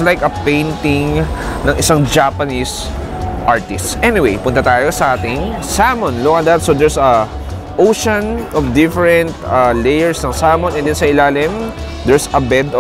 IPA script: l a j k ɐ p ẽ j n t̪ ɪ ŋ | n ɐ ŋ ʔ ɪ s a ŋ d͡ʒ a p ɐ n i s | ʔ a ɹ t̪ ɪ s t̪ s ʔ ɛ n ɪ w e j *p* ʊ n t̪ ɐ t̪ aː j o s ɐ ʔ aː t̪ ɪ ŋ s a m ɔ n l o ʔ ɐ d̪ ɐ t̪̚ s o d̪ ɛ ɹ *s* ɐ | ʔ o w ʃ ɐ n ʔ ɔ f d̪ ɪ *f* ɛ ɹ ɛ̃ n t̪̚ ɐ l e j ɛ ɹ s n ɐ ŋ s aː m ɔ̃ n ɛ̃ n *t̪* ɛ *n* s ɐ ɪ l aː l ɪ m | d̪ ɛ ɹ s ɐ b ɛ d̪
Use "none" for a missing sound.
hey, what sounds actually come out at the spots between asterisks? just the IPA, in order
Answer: p, s, f, d̪, n

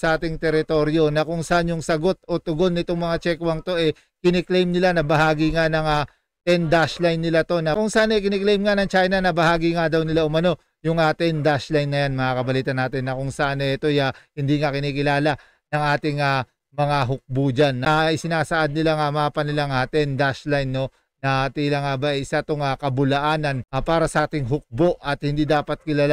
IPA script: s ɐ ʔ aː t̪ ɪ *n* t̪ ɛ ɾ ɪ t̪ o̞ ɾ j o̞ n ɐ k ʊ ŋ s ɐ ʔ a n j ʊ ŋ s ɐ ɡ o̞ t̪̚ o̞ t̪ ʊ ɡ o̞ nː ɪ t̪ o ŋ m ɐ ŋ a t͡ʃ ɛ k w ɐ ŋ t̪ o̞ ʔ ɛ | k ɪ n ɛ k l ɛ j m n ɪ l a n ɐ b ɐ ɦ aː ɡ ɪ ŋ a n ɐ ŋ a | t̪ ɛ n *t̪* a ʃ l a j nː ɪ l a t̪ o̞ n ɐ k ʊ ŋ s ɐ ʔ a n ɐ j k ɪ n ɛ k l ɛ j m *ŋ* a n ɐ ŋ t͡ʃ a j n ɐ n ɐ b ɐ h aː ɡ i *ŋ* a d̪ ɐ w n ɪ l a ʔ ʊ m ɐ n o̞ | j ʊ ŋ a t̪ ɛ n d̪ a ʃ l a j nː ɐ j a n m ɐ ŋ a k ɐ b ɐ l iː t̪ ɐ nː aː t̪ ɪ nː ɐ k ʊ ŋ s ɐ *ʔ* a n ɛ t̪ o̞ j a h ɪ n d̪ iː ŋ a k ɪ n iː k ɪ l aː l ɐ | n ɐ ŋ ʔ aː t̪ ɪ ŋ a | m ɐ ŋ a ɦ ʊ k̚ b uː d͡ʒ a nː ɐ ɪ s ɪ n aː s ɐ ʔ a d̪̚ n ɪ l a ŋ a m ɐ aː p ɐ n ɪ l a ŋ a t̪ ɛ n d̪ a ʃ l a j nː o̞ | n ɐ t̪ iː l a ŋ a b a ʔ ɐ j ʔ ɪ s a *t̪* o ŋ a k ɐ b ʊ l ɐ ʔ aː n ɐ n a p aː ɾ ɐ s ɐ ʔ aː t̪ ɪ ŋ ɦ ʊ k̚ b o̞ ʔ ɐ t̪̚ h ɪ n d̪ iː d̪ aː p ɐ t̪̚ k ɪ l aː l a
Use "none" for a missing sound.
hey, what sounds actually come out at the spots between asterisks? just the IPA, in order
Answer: ŋ, d̪, ŋ, ŋ, ʔ, t̪

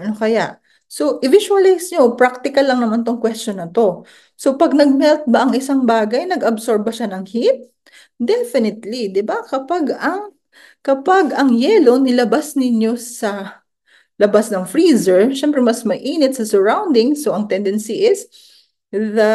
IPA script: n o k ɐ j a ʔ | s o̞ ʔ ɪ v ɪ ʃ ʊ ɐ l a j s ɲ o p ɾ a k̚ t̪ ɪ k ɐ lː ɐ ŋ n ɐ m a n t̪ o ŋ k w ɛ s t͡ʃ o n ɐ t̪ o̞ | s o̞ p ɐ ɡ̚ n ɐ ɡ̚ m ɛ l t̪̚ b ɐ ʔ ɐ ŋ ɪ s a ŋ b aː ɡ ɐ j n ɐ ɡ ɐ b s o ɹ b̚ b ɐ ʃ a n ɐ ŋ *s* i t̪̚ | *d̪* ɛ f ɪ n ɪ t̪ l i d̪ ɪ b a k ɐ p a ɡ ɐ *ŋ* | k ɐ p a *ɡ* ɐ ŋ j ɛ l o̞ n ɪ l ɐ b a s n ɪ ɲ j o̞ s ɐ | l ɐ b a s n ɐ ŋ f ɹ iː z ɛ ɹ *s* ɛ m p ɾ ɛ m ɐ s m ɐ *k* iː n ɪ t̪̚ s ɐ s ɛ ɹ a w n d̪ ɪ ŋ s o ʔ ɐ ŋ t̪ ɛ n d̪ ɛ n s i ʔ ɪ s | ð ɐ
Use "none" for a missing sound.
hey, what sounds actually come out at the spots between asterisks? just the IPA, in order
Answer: h, d̪, ŋ, ɡ, ʃ, ʔ

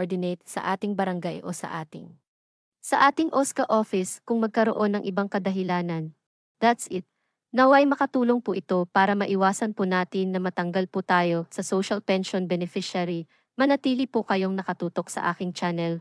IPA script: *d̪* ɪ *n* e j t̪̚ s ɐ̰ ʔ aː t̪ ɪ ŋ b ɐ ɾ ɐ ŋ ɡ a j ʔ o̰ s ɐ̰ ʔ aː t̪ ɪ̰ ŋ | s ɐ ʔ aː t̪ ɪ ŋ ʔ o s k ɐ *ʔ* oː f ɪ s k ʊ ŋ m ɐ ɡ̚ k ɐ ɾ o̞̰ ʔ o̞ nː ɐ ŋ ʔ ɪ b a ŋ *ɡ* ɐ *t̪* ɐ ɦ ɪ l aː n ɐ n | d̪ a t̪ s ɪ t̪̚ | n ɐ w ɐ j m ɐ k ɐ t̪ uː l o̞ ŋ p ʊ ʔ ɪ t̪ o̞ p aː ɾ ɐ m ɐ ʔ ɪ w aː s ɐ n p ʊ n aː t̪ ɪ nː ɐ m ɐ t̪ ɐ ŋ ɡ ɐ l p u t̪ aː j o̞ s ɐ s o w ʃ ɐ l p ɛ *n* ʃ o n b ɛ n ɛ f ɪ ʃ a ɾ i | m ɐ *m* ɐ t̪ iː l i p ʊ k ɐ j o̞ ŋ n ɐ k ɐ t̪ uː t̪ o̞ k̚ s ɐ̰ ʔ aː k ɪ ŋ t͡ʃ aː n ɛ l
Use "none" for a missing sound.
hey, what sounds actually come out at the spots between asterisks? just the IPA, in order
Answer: d̪, n, ʔ, k, d̪, n, n

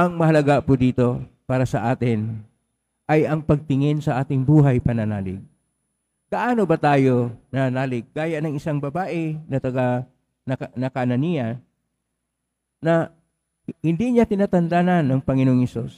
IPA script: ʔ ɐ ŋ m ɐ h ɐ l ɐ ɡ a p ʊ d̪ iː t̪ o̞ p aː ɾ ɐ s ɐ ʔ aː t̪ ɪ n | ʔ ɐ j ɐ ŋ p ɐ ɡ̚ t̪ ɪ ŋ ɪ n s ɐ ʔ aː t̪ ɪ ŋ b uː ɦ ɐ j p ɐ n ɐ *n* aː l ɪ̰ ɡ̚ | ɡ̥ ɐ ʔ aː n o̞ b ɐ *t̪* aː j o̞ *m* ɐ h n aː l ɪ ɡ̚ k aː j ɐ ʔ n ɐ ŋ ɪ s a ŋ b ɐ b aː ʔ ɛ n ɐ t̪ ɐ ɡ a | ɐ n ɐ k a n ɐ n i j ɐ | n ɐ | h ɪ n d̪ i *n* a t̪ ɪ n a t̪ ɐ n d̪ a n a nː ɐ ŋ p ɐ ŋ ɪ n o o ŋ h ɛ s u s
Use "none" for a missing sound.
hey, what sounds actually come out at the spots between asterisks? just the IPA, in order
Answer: n, t̪, n, ɲ

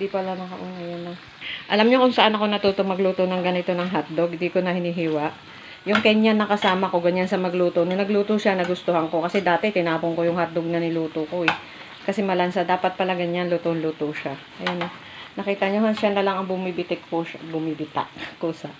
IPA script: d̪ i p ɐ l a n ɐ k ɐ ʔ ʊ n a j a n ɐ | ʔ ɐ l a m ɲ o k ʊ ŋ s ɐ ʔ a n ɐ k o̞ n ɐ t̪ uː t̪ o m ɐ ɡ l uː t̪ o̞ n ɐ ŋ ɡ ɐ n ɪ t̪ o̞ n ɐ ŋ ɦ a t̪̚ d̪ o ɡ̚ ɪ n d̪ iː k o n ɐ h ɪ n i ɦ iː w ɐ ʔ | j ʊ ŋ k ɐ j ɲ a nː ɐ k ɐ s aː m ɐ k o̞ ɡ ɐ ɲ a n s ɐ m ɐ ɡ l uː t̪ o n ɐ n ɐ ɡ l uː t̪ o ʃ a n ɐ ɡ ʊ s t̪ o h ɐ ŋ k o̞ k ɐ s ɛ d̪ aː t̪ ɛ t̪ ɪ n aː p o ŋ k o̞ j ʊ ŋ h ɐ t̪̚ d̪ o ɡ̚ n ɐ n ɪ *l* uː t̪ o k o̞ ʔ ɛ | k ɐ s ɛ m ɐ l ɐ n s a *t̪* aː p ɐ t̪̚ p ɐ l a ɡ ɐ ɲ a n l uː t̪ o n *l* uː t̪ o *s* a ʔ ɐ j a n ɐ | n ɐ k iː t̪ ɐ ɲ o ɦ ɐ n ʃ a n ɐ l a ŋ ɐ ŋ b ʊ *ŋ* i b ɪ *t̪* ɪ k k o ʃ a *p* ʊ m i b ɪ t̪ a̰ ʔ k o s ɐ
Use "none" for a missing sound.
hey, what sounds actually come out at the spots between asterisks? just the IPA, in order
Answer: l, d̪, l, ʃ, m, t̪, b

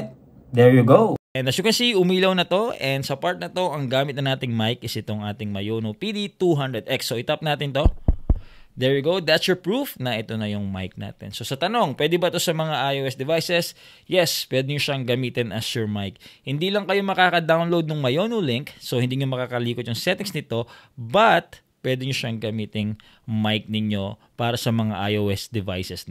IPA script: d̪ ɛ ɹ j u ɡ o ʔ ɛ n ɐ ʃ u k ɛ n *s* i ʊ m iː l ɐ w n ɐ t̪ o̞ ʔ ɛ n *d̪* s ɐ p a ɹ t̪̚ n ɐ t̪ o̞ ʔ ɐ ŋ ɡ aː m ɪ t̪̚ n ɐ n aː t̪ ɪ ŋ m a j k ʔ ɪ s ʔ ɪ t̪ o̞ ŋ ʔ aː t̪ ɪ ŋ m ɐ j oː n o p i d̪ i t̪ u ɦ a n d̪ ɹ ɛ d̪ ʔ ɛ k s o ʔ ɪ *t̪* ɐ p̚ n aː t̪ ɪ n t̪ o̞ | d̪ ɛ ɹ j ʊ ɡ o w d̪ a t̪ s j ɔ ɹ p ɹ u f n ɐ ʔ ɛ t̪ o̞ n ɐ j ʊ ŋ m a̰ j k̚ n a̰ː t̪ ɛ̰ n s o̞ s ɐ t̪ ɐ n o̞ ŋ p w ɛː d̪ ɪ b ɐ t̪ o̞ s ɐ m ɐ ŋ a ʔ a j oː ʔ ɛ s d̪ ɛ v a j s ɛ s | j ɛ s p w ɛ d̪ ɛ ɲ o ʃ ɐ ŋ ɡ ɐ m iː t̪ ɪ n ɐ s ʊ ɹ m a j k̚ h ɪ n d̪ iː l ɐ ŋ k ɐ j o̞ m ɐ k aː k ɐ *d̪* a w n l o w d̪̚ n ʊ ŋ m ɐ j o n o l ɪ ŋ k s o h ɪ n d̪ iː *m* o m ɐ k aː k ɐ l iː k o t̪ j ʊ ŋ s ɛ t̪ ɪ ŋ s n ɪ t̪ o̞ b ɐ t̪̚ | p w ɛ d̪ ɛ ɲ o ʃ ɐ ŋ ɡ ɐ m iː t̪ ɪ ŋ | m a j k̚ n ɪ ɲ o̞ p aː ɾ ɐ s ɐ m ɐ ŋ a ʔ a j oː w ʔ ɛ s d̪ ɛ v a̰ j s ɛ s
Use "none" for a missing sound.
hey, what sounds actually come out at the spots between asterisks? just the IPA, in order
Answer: s, d̪, t̪, d̪, ɲ

